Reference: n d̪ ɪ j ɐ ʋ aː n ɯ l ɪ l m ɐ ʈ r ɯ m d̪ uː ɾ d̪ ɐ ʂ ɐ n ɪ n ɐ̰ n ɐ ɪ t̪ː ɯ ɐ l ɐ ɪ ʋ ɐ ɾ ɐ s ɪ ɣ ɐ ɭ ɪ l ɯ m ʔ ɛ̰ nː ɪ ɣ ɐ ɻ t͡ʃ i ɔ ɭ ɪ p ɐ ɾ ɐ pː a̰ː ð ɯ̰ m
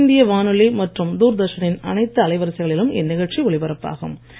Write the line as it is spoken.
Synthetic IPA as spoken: n d̪ ɪ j ɐ ʋ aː n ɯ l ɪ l m ɐ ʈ r ɯ m d̪ uː ɾ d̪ ɐ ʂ ɐ n ɪ n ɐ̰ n ɐ ɪ t̪ː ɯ ɐ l ɐ ɪ ʋ ɐ ɾ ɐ s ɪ ɣ ɐ ɭ ɪ l ɯ m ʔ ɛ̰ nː ɪ ɣ ɐ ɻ t͡ʃ i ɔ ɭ ɪ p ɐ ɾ ɐ pː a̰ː ɣ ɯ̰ m

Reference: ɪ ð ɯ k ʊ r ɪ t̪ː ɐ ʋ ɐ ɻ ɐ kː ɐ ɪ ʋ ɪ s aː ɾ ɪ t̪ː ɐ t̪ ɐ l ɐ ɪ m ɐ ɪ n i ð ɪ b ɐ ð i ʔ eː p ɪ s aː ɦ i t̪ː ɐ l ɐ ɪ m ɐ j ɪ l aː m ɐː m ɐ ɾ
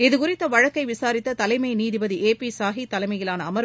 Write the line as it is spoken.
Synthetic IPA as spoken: ɪ ð ɯ k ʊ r ɪ t̪ː ɐ ʋ ɐ ɻ ɐ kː ɐ ɪ ʋ ɪ s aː ɾ ɪ t̪ː ɐ t̪ ɐ l ɐ ɪ m ɐ ɪ n iː ð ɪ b ɐ ð i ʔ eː p i s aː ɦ i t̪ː ɐ l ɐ ɪ m ɐ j ɪ l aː n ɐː m ɐ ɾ

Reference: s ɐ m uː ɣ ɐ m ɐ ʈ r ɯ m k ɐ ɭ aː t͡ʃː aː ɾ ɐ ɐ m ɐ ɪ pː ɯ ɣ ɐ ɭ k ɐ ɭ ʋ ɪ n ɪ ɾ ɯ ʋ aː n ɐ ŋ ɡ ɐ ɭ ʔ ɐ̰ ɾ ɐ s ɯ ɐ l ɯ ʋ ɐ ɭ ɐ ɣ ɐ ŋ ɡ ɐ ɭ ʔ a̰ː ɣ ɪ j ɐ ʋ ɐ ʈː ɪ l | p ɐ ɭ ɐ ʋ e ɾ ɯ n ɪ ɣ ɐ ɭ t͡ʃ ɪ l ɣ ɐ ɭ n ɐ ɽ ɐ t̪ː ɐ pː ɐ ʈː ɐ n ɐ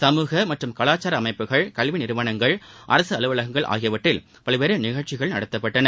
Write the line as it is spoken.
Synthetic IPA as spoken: s ɐ m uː ɣ ɐ m ɐ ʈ r ɯ m k ɐ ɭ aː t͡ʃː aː ɾ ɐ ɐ m ɐ ɪ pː ɯ ɣ ɐ ɭ k ɐ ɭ ʋ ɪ n ɪ ɾ ɯ ʋ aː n ɐ ŋ ɡ ɐ ɭ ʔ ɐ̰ ɾ ɐ s ɯ ɐ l ɯ ʋ ɐ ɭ ɐ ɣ ɐ ŋ ɡ ɐ ɭ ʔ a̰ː ɣ ɪ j ɐ ʋ ɐ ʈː ɪ l | p ɐ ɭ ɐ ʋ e ɾ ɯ n ɪ ɣ ɐ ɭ t͡ʃ ɪ ɣ ɐ ɭ n ɐ ɽ ɐ t̪ː ɐ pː ɐ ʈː ɐ n ɐ

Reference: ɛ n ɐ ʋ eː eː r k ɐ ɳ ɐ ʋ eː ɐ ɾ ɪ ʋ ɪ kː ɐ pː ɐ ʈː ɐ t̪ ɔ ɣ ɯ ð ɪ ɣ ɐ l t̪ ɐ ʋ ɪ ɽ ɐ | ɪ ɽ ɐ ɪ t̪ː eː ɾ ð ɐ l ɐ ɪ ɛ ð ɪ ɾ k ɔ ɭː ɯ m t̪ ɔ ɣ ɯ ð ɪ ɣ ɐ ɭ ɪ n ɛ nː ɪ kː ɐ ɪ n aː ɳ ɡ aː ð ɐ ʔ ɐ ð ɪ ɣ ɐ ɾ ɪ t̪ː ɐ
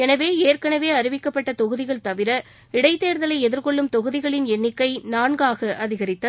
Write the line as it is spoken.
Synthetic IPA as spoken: ɛ n ɐ ʋ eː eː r k ɐ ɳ ɐ ʋ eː ɐ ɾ ɪ ʋ ɪ kː ɐ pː ɐ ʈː ɐ t̪ ɔ ɣ ɯ ð ɪ ɣ ɐ ɭ t̪ ɐ ʋ ɪ ɾ ɐ | ɪ ɽ ɐ ɪ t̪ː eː ɾ ð ɐ l ɐ ɪ ɛ ð ɪ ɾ k ɔ ɭː ɯ m t̪ ɔ ɣ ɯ ð ɪ ɣ ɐ ɭ ɪ n ɛ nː ɪ kː ɐ ɪ n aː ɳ ɡ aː ɣ ɐ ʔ ɐ ð ɪ ɣ ɐ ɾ ɪ t̪ː ɐ

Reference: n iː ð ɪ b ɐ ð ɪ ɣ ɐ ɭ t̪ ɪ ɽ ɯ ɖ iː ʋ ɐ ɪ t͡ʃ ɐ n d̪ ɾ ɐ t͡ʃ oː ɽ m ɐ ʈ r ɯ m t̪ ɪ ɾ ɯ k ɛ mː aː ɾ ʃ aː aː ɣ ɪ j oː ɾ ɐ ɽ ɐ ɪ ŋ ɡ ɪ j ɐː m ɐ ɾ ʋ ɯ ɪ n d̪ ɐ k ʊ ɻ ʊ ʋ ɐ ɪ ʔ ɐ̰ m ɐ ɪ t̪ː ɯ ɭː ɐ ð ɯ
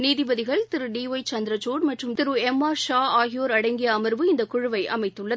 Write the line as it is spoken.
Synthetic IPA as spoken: n iː ð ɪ b ɐ ð ɪ ɣ ɐ ɭ t̪ ɪ ɾ ɯ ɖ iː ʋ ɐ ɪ t͡ʃ ɐ n d̪ ɾ ɐ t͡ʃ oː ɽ m ɐ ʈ r ɯ m t̪ ɪ ɾ ɯ ɛ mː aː ɾ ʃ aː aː ɣ ɪ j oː ɾ ɐ ɽ ɐ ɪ ŋ ɡ ɪ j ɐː m ɐ ɾ ʋ ɯ ɪ n d̪ ɐ k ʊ ɻ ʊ ʋ ɐ ɪ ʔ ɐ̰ m ɐ ɪ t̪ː ɯ ɭː ɐ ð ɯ

